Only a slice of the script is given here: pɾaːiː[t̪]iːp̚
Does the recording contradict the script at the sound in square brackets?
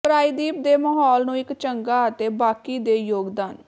yes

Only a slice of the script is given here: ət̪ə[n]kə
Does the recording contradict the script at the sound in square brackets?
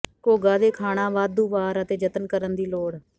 no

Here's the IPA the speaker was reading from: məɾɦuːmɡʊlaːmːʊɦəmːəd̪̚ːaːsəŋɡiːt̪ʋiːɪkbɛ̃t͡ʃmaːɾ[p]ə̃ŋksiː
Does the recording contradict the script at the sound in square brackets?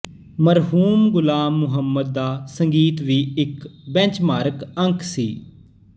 yes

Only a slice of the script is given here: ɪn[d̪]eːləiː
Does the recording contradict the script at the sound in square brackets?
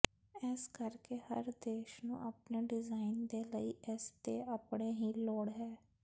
no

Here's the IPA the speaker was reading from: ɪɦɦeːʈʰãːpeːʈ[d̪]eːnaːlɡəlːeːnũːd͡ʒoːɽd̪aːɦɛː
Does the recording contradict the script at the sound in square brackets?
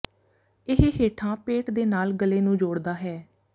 no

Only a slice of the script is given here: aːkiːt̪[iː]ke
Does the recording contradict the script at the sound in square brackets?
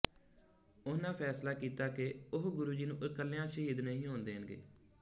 yes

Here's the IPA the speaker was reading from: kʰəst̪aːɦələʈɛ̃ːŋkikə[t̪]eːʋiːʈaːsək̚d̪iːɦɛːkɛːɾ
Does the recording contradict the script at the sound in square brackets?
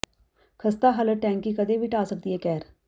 yes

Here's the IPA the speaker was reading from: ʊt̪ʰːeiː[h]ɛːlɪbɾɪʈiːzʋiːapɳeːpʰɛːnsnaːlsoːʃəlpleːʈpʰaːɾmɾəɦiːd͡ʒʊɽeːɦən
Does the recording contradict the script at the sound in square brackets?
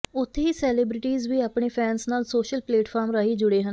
yes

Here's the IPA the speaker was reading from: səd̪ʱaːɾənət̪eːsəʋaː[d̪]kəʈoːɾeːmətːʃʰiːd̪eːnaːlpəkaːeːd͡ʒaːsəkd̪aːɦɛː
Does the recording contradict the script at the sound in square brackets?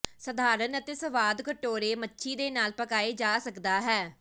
no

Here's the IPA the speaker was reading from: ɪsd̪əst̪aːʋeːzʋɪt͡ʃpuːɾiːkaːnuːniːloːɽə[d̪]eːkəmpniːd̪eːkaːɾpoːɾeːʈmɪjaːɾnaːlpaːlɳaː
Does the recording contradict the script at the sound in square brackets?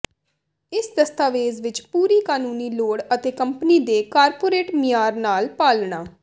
yes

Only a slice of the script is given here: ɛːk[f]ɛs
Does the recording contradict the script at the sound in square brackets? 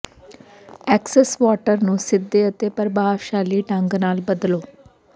yes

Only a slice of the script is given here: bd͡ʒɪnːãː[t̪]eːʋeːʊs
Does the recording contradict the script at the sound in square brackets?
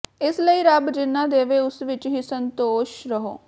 yes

